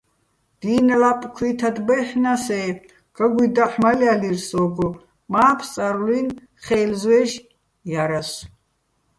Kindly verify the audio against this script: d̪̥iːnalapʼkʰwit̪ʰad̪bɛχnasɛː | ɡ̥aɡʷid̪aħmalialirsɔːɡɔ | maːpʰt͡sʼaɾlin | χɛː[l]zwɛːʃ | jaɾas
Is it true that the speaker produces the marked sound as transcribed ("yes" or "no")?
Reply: yes